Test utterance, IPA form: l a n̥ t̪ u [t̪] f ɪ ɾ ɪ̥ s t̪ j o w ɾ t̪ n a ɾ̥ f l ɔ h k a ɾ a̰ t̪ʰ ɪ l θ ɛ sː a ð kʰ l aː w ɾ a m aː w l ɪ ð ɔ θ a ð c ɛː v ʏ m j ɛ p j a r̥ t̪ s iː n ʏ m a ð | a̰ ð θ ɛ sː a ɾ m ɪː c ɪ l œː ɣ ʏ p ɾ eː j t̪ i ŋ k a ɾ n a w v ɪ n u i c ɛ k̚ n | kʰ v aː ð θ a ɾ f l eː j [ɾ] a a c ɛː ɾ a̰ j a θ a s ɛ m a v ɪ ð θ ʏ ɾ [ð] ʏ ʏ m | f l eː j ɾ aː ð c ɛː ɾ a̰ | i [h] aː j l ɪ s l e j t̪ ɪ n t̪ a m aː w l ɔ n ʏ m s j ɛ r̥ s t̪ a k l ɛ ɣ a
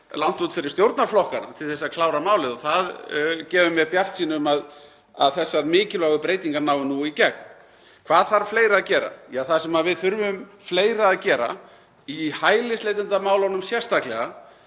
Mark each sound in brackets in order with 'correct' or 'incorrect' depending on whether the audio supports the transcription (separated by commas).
correct, correct, incorrect, correct